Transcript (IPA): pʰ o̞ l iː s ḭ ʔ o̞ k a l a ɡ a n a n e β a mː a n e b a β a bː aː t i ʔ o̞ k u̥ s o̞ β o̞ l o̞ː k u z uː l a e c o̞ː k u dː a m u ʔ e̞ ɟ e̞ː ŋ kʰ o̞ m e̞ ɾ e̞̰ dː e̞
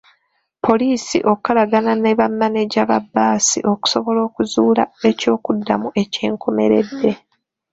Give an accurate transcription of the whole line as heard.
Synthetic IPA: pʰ o̞ l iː s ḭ ʔ o̞ k a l a ɡ a n a n e β a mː a n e ɟ a β a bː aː s i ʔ o̞ k u̥ s o̞ β o̞ l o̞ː k u z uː l a e c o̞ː k u dː a m u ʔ e̞ c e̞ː ŋ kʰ o̞ m e̞ ɾ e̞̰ dː e̞